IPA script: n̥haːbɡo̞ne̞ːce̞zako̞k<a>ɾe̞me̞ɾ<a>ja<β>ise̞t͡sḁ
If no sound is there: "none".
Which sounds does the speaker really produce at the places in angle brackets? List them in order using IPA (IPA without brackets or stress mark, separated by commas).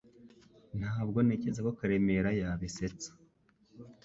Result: a, a, β